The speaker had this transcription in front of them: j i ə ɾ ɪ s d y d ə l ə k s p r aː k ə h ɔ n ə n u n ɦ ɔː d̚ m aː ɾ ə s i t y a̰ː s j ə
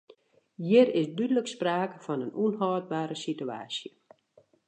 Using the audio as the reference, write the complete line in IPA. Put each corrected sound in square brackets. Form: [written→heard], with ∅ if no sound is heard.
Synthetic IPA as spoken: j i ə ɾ ɪ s d y d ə l ə k s p r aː k ə [h→f] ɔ n ə n u n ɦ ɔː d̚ [m→b] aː ɾ ə s i t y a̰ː s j ə